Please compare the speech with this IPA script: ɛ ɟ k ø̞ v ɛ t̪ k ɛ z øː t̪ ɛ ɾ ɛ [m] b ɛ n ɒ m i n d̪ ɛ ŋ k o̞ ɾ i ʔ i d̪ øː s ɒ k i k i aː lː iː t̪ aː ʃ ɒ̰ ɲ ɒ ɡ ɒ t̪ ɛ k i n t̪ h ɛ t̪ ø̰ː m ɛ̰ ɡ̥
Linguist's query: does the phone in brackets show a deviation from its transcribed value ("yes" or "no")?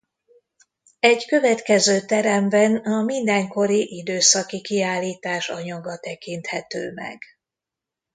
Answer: no